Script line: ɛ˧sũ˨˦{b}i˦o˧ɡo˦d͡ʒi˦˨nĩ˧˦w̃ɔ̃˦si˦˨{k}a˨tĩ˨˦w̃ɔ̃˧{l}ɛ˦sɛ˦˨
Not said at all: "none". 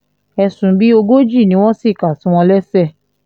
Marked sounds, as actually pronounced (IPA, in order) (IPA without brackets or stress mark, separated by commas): b, k, l